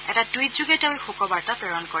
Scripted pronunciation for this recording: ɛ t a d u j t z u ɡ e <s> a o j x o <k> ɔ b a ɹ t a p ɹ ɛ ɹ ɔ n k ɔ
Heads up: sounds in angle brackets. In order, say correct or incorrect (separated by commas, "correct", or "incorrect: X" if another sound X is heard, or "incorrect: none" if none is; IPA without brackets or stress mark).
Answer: incorrect: t, correct